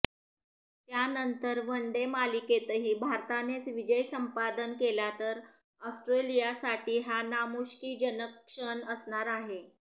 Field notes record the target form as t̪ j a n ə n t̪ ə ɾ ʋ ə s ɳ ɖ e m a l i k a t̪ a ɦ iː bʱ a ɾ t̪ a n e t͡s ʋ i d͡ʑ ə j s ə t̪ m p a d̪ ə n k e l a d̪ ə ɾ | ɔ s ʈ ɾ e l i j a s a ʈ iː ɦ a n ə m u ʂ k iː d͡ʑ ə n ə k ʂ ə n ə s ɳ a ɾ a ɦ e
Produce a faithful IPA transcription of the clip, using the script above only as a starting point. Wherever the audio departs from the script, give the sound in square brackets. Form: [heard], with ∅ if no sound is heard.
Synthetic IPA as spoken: t̪ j a n ə n t̪ ə ɾ ʋ ə [∅] ɳ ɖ e m a l i k [e] t̪ [ə] ɦ iː bʱ a ɾ t̪ a n e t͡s ʋ i d͡ʑ ə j s ə [∅] m p a d̪ ə n k e l a [t̪] ə ɾ | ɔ s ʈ ɾ e l i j a s a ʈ iː ɦ a n [a] m u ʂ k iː d͡ʑ ə n ə k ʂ ə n ə s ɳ a ɾ a ɦ e